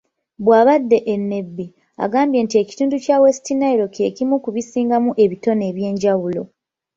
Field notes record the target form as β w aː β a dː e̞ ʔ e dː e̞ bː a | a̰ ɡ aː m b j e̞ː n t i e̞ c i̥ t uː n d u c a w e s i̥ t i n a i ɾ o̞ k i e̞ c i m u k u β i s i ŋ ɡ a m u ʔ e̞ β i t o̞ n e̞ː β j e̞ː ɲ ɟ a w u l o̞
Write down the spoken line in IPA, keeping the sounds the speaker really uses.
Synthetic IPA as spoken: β w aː β a dː e̞ ʔ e nː e̞ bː i | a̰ ɡ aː m b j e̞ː n t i e̞ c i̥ t uː n d u c a w e s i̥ t i n a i ɾ o̞ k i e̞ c i m u k u β i s iː ŋ ɡ a m u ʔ e̞ β i t o̞ n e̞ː β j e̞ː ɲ ɟ a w u l o̞

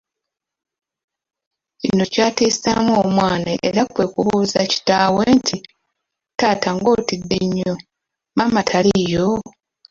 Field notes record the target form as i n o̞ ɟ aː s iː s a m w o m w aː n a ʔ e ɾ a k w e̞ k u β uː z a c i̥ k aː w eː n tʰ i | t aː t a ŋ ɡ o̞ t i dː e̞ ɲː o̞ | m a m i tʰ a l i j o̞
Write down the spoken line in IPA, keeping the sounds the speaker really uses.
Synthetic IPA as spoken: i n o̞ c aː t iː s a m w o m w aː n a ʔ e ɾ a k w e̞ k u β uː z a c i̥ t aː w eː n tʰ i | t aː t a ŋ ɡ o̞ t i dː e̞ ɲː o̞ | m a m a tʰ a l i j o̞

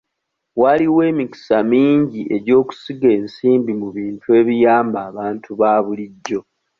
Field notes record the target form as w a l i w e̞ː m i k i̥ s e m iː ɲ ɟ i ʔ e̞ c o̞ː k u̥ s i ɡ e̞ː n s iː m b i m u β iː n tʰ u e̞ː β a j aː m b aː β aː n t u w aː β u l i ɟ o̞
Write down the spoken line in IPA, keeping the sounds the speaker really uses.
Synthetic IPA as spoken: w a l i w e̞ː m i k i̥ s a m iː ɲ ɟ i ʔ e̞ ɟ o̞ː k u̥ s i ɡ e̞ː n s iː m b i m u β iː n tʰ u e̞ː β i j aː m b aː β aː n t u β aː β u l i ɟː o̞

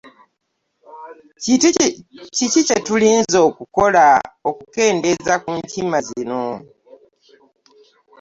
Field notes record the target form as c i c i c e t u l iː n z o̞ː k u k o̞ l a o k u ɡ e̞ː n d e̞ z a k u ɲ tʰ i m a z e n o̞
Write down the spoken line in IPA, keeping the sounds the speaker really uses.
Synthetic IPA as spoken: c i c i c e t u l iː n z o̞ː k u k o̞ l a o k u k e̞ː n d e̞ z a k u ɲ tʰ i m a z i n o̞

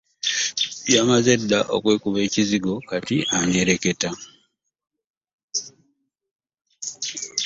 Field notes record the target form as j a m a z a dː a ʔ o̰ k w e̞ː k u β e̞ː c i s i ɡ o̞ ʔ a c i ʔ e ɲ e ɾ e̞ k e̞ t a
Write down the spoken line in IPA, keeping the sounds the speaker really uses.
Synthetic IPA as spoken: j a m a z e dː a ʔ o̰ k w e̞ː k u β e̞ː c i z i ɡ o̞ k a t i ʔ a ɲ e ɾ e̞ k e̞ t a

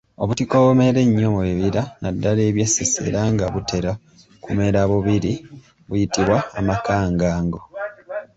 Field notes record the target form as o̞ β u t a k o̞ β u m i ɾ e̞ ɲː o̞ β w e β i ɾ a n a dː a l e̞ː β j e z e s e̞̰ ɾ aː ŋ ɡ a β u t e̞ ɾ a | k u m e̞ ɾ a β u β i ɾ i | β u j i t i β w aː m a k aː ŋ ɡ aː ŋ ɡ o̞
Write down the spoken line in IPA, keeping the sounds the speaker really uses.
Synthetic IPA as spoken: o̞ β u t i k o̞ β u m e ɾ e̞ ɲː o̞ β w e β i ɾ a n a dː a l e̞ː β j e s e s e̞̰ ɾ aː ŋ ɡ a β u t e̞ ɾ a | k u m e̞ ɾ a β u β i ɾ i | β u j i t i β w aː m a k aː ŋ ɡ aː ŋ ɡ o̞

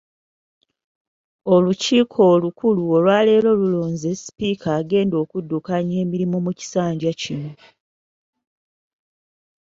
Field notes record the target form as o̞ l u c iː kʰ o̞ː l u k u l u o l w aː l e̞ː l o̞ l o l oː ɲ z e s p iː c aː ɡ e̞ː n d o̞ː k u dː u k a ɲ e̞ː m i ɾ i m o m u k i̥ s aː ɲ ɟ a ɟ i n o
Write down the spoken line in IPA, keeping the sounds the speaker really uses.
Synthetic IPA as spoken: o̞ l u c iː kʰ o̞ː l u k u l u o l w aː l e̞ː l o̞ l u l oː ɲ z e s p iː k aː ɡ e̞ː n d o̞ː k u dː u k a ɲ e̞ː m i ɾ i m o m u c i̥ s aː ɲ ɟ a c i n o

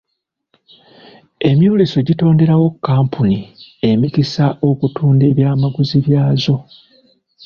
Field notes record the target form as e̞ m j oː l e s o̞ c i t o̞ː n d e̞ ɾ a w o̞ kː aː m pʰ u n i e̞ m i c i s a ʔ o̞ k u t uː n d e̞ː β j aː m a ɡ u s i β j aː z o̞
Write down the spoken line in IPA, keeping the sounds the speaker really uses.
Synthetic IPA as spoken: e̞ m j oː l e s o̞ ɟ i t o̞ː n d e̞ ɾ a w o̞ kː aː m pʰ u n i e̞ m i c i s a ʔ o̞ k u t uː n d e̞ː β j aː m a ɡ u z i β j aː z o̞

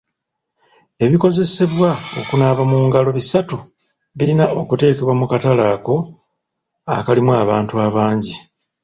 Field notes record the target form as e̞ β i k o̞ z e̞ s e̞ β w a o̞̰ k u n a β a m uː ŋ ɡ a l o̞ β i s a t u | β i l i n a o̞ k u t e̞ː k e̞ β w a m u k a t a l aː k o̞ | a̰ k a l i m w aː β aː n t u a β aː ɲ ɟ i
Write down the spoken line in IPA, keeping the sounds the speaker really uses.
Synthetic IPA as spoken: e̞ β i k o̞ z e̞ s e̞ β w a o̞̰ k u n a β a m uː ŋ ɡ a l o̞ β i s a t u | β i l i n a o̞ k u t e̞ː k e̞ β w a m u k a t a l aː k o̞ | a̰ k a l i m w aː β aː n t u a β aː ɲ ɟ i

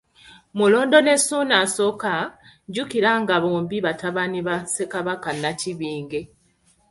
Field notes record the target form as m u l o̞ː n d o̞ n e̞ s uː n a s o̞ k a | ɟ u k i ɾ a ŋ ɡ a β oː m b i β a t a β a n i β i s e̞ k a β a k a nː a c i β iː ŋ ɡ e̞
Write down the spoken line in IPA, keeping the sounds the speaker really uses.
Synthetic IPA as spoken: m u l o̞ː n d o̞ n e̞ s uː n a s o̞ k a | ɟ u k i ɾ a ŋ ɡ a β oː m b i β a t a β a n i β a s e̞ k a β a k a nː a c i β iː ŋ ɡ e̞

